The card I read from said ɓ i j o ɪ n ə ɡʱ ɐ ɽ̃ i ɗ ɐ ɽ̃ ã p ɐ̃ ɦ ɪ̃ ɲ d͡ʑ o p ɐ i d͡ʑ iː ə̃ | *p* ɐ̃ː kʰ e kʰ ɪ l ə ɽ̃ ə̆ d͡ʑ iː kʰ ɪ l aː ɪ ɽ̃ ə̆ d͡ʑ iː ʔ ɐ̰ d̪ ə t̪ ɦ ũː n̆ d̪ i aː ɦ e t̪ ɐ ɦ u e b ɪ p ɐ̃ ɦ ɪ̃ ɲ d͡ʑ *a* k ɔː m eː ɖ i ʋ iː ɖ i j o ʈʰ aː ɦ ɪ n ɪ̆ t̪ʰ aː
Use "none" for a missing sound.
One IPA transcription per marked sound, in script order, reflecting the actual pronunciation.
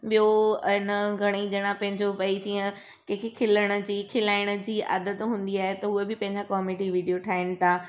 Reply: k, a

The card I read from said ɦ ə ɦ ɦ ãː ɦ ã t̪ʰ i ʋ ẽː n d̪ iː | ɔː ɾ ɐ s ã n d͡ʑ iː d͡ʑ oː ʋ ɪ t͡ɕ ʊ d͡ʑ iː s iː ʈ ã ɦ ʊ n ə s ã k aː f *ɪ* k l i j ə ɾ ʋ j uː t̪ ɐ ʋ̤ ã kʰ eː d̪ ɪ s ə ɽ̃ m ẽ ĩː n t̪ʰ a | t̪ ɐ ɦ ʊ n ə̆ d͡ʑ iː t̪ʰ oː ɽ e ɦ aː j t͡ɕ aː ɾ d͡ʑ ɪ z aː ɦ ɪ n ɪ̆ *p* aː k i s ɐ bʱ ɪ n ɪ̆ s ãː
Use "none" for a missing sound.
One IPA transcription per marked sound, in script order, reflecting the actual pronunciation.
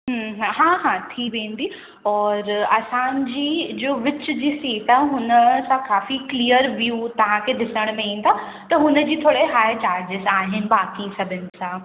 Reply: i, b

